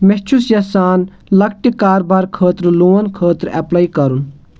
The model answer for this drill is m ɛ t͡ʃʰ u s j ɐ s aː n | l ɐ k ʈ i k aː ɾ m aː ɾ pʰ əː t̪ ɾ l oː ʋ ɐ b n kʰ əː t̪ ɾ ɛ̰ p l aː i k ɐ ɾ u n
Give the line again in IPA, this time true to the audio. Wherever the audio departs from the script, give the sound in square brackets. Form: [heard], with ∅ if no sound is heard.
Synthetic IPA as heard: m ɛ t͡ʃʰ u s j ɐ s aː n | l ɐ k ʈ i k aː ɾ [b] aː ɾ [kʰ] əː t̪ ɾ l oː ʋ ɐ [∅] n kʰ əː t̪ ɾ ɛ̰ p l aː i k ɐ ɾ u n